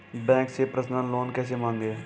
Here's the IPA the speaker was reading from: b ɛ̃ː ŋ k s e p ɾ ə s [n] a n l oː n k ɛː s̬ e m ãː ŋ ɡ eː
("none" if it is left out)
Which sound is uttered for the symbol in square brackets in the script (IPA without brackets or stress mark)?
n